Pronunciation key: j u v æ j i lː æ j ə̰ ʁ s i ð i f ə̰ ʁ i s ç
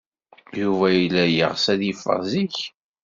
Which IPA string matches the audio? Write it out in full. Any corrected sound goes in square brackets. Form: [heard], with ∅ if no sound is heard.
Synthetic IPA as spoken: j u v æ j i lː æ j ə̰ ʁ s [æ] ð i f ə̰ [z] i [∅] ç